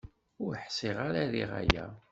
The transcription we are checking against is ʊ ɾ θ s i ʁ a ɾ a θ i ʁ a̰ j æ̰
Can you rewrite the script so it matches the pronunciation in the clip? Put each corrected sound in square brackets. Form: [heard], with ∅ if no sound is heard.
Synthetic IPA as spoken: ʊ ɾ [ħ] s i ʁ a ɾ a [ð] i ʁ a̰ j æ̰